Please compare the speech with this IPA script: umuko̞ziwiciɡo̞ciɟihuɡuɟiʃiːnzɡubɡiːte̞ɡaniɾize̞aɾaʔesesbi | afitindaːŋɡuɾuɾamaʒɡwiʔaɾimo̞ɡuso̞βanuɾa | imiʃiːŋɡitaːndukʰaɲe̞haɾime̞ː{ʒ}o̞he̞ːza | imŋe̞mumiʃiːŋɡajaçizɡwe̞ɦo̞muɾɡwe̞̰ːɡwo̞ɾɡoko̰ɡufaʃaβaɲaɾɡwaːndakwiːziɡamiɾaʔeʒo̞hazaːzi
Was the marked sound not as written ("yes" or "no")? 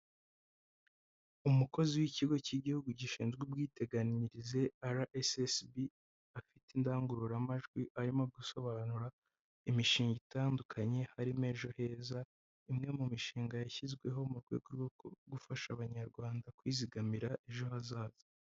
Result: no